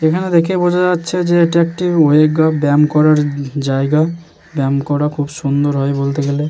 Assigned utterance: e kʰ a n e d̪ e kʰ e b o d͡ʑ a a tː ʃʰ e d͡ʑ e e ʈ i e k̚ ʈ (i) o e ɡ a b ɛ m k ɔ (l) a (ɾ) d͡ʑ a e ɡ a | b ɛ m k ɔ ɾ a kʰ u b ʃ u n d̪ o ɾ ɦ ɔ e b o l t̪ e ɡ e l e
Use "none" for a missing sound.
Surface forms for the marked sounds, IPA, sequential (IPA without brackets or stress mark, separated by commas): i, ɾ, ɾ